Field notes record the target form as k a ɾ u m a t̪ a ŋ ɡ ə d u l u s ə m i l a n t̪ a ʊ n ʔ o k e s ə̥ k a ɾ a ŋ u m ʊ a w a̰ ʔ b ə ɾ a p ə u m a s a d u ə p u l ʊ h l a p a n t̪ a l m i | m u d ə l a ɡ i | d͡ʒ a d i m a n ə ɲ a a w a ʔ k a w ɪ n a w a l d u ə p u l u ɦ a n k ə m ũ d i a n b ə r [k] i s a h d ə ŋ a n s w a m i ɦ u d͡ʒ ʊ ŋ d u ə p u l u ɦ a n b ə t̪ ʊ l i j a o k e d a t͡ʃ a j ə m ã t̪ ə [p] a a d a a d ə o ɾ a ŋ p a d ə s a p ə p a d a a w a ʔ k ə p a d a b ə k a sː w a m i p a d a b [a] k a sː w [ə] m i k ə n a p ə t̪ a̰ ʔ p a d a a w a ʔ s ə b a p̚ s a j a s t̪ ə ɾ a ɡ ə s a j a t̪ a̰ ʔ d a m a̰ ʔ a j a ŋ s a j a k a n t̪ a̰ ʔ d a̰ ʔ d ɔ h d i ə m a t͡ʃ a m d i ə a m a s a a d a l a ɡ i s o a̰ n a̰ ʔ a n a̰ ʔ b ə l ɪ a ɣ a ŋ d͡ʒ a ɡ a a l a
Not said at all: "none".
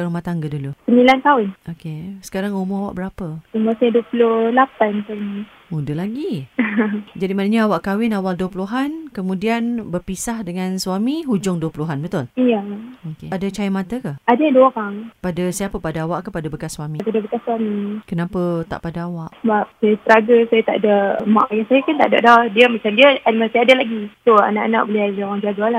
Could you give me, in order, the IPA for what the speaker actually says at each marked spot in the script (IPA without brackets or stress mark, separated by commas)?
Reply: p, k, ə, a